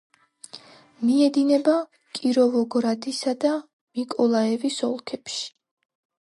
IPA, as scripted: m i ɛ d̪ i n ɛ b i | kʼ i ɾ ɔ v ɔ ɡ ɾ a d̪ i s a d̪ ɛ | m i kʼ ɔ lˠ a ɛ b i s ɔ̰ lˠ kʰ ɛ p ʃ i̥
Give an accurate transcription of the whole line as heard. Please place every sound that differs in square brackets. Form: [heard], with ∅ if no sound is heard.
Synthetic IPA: m i ɛ d̪ i n ɛ b [a] | kʼ i ɾ ɔ v ɔ ɡ ɾ a d̪ i s a d̪ [a] | m i kʼ ɔ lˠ a ɛ [v] i s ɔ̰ lˠ kʰ ɛ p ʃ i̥